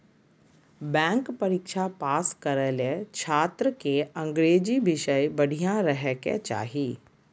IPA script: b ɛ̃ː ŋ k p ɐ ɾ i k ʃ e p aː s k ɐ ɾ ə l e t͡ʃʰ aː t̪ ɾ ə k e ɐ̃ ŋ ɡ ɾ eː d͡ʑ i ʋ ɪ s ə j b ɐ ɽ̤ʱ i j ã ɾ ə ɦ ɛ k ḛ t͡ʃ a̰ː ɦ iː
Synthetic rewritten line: b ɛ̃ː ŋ k p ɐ ɾ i k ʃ a p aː s k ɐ ɾ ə l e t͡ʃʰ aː t̪ ɾ ə k e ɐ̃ ŋ ɡ ɾ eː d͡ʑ i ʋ ɪ ʃ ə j b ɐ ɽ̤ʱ i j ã ɾ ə ɦ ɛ k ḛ t͡ʃ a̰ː ɦ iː